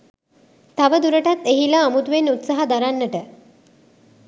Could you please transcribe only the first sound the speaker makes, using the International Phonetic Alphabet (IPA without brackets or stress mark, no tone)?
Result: t̪